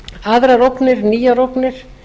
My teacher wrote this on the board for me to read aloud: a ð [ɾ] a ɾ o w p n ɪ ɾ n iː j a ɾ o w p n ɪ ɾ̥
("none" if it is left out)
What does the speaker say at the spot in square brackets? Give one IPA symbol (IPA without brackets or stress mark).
ɾ